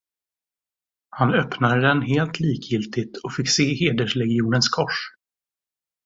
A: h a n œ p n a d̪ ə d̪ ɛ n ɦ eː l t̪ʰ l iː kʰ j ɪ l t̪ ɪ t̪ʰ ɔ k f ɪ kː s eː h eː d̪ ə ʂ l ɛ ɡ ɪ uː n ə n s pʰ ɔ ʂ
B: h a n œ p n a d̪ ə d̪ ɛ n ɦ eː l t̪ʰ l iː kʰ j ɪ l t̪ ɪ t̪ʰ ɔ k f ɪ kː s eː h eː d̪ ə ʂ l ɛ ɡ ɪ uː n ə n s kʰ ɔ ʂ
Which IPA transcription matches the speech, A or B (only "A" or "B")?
B